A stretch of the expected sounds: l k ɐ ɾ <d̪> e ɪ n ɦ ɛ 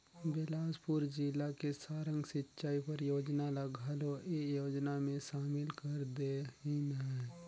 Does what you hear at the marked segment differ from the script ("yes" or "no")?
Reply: no